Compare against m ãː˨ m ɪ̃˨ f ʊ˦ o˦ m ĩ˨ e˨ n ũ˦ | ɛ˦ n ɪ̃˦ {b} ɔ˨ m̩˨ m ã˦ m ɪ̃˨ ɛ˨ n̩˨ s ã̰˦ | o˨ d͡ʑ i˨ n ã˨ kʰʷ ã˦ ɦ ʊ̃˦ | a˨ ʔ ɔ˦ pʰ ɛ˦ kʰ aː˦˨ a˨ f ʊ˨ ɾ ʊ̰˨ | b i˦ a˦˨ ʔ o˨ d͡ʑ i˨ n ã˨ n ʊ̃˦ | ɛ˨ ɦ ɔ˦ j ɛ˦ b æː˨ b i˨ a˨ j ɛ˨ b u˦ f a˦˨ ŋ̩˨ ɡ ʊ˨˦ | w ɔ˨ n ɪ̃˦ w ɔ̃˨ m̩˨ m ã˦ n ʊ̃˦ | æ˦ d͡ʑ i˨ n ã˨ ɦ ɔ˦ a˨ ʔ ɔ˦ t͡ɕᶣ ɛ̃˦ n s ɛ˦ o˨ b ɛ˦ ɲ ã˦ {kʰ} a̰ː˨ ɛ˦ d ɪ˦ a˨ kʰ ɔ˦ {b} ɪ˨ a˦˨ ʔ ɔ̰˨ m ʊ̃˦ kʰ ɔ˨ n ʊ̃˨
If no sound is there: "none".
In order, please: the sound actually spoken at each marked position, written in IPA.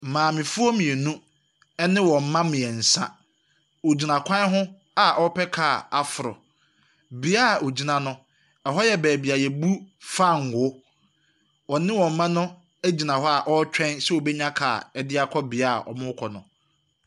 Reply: w, kʰ, b

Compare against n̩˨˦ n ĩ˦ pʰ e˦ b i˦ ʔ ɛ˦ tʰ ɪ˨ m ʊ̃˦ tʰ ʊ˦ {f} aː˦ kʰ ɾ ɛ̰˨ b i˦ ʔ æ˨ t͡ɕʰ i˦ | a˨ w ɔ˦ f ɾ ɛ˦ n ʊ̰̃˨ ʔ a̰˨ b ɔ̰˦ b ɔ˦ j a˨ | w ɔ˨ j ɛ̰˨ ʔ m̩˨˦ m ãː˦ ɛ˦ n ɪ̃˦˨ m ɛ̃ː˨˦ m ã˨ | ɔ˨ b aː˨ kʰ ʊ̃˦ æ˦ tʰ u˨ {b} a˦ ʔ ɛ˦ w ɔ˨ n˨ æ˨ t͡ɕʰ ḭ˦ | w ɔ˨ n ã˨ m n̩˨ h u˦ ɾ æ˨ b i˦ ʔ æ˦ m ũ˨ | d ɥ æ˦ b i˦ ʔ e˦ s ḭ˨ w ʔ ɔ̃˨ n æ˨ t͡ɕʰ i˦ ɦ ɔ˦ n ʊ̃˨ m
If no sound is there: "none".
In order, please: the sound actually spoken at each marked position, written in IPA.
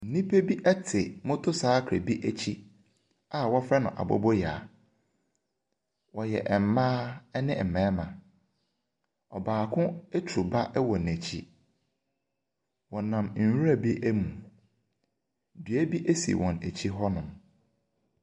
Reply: s, b

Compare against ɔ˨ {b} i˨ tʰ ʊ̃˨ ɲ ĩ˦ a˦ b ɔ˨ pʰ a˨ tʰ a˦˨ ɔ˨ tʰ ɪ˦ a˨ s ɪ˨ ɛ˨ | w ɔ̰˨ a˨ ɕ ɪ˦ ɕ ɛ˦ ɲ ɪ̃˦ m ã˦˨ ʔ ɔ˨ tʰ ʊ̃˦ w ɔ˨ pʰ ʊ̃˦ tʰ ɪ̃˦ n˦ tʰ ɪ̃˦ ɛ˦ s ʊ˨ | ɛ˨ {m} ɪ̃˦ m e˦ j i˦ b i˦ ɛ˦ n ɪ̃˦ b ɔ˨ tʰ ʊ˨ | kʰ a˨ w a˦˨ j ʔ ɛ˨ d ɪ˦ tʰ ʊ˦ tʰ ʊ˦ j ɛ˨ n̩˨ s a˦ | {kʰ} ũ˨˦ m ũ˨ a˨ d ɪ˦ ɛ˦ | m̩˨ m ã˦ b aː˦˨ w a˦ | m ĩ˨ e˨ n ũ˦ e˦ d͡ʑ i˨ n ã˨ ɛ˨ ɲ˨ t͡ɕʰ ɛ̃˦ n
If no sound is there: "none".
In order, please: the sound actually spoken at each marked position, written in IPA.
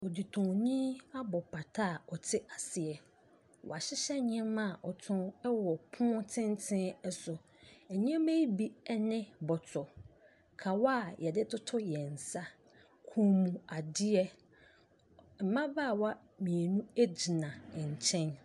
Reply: d, ɲ, kʰ

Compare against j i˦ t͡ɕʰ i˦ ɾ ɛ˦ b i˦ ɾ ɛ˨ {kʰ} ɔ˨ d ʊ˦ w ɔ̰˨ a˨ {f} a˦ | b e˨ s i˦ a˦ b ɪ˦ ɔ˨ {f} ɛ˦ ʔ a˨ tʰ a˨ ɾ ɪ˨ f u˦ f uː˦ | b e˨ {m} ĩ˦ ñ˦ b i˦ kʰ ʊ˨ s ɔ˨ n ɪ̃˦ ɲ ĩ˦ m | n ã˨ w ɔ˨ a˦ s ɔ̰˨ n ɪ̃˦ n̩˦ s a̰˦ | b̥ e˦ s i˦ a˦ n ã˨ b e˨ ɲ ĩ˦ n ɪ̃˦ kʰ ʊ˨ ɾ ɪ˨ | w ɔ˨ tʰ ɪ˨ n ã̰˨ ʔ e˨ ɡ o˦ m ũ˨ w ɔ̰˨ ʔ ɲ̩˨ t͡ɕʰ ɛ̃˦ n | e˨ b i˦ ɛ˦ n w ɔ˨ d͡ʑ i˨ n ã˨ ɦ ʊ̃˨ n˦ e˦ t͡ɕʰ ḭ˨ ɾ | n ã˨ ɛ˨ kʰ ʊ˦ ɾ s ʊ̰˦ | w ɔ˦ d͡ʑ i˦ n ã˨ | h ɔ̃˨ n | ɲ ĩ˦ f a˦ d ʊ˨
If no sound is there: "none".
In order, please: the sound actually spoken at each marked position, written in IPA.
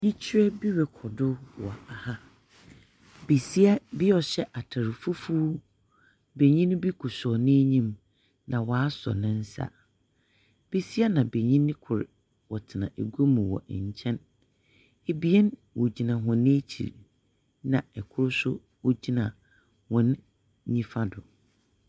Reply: kʰ, h, ɕ, ɲ

